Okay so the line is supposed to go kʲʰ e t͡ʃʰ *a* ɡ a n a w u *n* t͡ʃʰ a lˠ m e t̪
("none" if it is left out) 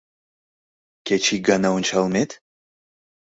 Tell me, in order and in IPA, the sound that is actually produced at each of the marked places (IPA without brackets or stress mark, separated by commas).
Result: i, n